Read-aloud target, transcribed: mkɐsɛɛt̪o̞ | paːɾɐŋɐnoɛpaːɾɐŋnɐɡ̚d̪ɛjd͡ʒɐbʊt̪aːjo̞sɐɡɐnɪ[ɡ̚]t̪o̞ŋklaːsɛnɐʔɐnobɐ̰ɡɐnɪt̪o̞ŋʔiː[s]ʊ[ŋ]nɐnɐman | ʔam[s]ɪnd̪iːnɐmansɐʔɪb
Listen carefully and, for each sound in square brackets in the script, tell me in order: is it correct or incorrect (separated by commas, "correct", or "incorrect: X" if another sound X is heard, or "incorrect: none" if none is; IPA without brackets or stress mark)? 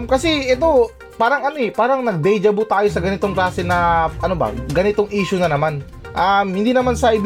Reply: incorrect: none, incorrect: ʃ, incorrect: none, incorrect: h